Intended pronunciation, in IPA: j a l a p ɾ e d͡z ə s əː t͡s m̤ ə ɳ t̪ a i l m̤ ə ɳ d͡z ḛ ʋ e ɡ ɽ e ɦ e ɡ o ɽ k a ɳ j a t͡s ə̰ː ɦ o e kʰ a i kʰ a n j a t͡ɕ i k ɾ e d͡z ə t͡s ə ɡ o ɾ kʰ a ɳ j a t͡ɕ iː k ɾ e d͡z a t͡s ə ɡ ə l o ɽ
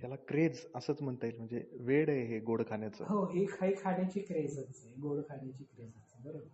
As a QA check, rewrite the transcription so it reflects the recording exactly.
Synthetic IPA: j a l a k ɾ e d͡z ə s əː t͡s m̤ ə ɳ t̪ a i l m̤ ə ɳ d͡z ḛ ʋ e ɽ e ɦ e ɡ o ɽ kʰ a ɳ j a t͡s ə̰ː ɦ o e kʰ a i kʰ a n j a t͡ɕ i k ɾ e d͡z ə t͡s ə ɡ o ɽ kʰ a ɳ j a t͡ɕ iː k ɾ e d͡z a t͡s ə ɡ ə ɾ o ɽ